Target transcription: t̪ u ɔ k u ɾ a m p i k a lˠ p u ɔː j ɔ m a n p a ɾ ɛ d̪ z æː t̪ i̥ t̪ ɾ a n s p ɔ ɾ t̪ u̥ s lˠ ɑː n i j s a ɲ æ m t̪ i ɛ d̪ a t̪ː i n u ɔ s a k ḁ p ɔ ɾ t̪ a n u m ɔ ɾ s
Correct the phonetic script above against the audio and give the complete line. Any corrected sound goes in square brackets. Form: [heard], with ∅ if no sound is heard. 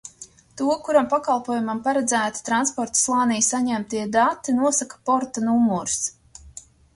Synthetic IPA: t̪ u ɔ k u ɾ a m p [a] k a lˠ p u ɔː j [u] m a [m] p a ɾ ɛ d̪ z æː t̪ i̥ t̪ ɾ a n s p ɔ ɾ t̪ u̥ s lˠ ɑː n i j s a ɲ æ m t̪ i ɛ d̪ a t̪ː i n u ɔ s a k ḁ p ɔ ɾ t̪ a n u m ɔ ɾ s